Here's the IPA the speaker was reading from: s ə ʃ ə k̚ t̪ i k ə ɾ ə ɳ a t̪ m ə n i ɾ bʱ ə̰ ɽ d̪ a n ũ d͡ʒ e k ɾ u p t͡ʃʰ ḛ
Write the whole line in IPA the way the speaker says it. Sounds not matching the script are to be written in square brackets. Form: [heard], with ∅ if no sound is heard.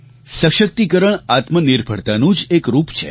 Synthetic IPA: s ə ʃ ə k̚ t̪ i k ə ɾ ə ɳ a t̪ m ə n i ɾ bʱ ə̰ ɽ [t̪] a n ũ d͡ʒ e k ɾ u p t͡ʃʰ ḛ